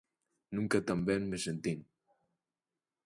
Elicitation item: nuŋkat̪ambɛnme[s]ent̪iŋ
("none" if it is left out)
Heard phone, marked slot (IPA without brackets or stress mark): s